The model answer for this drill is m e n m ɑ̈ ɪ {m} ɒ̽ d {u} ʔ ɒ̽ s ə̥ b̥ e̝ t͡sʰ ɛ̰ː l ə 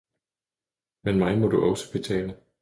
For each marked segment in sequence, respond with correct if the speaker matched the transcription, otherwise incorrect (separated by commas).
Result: correct, correct